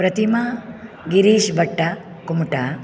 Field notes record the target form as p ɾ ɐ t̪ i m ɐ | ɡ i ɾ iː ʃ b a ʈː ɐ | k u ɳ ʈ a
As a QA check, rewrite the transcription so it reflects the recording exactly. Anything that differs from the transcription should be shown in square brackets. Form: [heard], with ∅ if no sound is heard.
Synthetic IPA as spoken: p ɾ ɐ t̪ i m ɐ | ɡ i ɾ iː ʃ b [ɐ] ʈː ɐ | k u [m] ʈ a

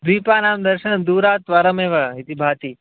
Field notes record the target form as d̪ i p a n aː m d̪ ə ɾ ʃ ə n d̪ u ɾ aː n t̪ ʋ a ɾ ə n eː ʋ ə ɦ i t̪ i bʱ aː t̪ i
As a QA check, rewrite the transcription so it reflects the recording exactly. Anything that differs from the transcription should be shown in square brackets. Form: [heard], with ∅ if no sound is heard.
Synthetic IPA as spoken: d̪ i p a n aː m d̪ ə ɾ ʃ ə n d̪ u ɾ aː [∅] t̪ ʋ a ɾ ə [m] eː ʋ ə ɦ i t̪ i bʱ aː t̪ i

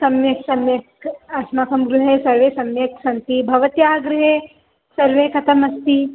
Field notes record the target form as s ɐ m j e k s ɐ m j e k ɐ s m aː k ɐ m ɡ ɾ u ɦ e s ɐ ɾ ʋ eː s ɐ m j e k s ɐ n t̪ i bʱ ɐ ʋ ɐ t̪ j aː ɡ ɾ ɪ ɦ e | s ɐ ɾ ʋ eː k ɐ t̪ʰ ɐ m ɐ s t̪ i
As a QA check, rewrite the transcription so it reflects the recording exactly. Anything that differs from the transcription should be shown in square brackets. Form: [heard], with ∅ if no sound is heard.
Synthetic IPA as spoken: s ɐ m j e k s ɐ m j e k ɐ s m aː k ɐ m ɡ ɾ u ɦ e s ɐ ɾ ʋ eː s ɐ m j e k s ɐ n t̪ i bʱ ɐ ʋ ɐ t̪ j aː ɡ ɾ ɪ ɦ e | s ɐ ɾ ʋ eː k ɐ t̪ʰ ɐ m ɐ s t̪ i

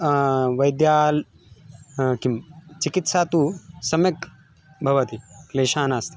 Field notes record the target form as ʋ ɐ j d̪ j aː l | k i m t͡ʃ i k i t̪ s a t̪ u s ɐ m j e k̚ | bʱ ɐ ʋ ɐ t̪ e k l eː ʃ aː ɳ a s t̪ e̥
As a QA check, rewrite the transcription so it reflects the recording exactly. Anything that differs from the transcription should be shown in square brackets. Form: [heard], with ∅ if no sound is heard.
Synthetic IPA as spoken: ʋ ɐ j d̪ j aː l | k i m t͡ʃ i k i t̪ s a t̪ u s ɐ m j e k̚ | bʱ ɐ ʋ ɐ t̪ [i] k l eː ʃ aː [n] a s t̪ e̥

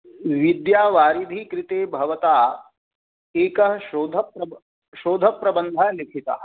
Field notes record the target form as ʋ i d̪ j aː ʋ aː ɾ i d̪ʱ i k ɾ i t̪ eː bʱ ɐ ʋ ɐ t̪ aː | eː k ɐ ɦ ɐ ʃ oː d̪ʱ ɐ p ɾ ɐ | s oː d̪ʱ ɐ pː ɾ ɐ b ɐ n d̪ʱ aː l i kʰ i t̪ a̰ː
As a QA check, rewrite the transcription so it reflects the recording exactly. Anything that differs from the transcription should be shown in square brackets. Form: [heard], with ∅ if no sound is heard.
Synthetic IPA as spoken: ʋ i d̪ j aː ʋ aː ɾ i d̪ʱ i k ɾ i t̪ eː bʱ ɐ ʋ ɐ t̪ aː | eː k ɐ ɦ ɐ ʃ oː d̪ʱ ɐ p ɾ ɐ | [ʃ] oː d̪ʱ ɐ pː ɾ ɐ b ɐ n d̪ʱ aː l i kʰ i t̪ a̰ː

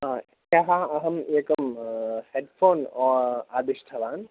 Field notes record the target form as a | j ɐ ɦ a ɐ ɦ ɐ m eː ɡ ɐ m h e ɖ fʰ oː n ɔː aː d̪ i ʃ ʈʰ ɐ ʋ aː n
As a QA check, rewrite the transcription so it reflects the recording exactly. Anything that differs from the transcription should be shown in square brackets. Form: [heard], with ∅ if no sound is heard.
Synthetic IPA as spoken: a | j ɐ ɦ a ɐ ɦ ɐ m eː [k] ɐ m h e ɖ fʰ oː n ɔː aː d̪ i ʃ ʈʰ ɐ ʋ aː n

